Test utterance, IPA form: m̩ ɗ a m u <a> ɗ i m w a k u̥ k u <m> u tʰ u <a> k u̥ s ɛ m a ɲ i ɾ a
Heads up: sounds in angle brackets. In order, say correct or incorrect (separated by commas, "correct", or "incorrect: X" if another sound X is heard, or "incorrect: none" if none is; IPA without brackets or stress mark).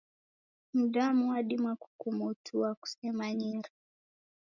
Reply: correct, correct, correct